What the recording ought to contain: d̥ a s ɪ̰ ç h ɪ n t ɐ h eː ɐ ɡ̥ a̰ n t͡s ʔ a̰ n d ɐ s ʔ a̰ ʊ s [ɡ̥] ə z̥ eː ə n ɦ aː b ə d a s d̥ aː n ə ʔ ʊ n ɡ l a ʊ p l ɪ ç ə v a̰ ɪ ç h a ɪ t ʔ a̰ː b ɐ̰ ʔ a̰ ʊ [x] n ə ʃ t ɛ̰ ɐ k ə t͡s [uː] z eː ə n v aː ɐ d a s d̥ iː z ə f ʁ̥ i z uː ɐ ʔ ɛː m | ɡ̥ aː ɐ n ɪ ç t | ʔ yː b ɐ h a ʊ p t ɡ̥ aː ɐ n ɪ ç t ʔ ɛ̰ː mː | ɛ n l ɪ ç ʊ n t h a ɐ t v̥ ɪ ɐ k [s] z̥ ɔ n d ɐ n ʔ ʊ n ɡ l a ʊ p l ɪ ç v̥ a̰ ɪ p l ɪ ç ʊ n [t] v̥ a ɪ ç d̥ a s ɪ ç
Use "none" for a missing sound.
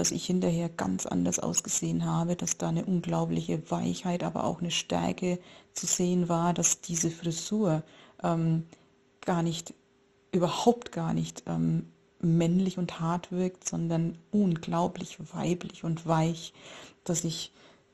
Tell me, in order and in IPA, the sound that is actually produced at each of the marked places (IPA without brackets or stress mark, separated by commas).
ɡ̥, x, u, t, t